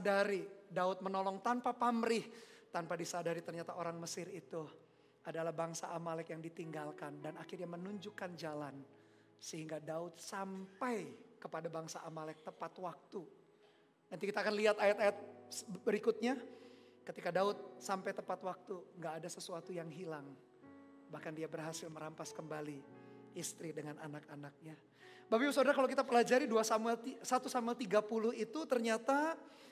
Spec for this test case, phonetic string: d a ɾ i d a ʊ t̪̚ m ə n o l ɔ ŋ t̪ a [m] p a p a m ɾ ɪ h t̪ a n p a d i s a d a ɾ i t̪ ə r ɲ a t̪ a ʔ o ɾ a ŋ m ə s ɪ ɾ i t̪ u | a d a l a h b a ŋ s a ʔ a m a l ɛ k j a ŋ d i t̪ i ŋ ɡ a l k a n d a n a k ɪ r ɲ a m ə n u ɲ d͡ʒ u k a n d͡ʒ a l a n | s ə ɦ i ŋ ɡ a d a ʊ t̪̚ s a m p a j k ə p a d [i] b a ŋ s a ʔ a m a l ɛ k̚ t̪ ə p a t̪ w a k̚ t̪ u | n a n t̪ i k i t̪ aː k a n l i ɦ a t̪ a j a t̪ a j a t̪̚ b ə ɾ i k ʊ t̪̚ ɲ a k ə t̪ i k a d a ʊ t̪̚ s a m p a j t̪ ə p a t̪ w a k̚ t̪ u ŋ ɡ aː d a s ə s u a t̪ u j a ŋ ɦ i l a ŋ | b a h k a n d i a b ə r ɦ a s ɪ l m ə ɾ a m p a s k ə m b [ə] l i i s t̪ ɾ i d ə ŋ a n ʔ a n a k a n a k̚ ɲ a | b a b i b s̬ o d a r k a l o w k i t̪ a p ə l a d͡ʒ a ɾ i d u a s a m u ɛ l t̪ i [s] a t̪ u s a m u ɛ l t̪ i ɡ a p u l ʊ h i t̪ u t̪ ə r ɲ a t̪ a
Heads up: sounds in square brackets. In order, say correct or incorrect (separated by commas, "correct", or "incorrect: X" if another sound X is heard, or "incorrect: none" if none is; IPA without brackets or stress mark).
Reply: incorrect: n, incorrect: a, incorrect: a, correct